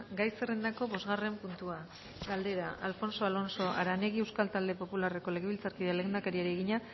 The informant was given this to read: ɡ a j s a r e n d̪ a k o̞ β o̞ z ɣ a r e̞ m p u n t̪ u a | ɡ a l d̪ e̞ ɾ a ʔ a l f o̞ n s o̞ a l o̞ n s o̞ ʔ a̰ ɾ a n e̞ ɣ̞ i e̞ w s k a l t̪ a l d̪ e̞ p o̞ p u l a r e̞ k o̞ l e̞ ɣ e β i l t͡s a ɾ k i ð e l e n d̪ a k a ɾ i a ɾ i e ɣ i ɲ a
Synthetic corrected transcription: ɡ a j s e r e n d̪ a k o̞ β o̞ z ɣ a r e̞ m p u n t̪ u a | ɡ a l d̪ e̞ ɾ a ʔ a l f o̞ n s o̞ a l o̞ n s o̞ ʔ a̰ ɾ a n e̞ ɣ̞ i e̞ w s k a l t̪ a l d̪ e̞ p o̞ p u l a r e̞ k o̞ l e̞ ɣ e β i l t͡s a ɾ k i ð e l e n d̪ a k a ɾ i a ɾ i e ɣ i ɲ a